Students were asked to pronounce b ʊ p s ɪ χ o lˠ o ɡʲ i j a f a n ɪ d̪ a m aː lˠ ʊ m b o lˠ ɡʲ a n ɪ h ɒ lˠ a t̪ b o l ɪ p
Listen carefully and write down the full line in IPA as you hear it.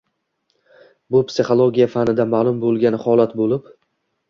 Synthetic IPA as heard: b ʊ p s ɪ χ o lˠ o ɡʲ i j a f a n ɪ d̪ a m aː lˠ ʊ m b o lˠ ɡʲ a n ɪ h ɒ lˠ a t̪ b o l ɪ p